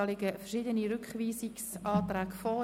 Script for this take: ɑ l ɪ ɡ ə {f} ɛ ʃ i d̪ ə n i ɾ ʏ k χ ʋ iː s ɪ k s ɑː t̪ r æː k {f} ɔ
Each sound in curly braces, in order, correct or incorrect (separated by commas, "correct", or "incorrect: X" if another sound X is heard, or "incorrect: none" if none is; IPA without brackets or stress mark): correct, correct